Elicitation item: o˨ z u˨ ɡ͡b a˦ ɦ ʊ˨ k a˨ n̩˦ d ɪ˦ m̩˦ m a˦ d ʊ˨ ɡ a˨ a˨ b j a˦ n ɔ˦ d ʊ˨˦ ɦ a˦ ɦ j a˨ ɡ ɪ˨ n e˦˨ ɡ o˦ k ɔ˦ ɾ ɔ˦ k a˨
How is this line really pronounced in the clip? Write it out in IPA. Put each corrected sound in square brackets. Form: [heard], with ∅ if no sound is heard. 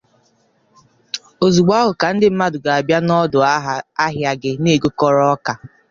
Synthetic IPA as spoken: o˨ z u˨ ɡ͡b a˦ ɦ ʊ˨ k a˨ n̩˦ d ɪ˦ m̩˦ m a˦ d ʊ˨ ɡ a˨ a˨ b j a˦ n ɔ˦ d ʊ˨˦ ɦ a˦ ɦ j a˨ ɡ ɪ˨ n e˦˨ ɡ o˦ k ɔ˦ ɾ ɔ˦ k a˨